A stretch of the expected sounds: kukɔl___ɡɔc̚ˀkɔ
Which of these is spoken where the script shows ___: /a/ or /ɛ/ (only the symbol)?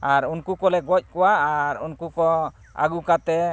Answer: ɛ